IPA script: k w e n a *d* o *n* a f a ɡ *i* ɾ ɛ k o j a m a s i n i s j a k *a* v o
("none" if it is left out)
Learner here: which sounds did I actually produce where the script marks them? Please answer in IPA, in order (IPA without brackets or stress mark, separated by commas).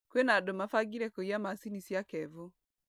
d, m, i, ɛ